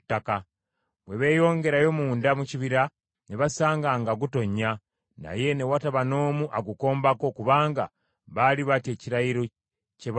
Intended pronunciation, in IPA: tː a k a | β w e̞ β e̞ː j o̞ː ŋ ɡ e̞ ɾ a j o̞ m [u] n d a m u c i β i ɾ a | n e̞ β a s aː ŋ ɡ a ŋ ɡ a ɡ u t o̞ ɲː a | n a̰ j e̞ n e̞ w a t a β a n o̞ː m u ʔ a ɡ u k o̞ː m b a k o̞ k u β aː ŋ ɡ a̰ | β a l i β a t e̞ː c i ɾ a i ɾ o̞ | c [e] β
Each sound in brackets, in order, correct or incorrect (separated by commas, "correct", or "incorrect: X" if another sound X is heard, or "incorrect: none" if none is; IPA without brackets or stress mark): incorrect: uː, correct